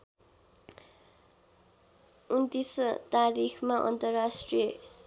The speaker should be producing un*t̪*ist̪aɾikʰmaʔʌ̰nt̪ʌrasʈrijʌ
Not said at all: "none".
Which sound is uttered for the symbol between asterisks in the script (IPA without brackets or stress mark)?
t̪